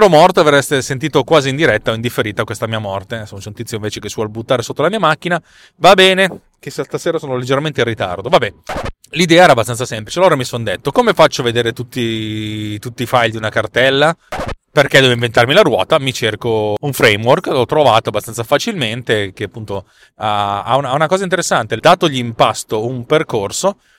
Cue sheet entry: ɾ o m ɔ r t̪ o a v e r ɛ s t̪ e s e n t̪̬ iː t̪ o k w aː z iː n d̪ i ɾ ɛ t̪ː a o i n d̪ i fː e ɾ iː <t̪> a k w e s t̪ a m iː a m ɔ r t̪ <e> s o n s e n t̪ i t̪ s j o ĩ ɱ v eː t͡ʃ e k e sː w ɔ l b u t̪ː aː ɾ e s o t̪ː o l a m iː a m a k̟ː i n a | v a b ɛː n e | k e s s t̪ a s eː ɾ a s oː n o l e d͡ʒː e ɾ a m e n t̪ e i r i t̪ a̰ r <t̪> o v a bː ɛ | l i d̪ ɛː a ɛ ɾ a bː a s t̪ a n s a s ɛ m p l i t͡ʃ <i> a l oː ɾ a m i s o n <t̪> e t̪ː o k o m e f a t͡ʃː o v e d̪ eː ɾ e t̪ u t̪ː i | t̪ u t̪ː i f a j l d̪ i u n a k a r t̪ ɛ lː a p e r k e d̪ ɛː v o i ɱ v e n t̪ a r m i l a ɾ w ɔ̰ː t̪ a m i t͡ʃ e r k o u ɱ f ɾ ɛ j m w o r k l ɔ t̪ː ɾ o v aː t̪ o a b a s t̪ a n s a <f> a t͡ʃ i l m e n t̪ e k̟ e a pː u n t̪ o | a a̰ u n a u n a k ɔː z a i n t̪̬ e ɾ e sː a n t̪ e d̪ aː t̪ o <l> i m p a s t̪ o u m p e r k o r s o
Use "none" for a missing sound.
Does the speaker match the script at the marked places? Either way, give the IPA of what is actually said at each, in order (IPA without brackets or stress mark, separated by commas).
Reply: t̪, e, d̪, e, d̪, f, ʎ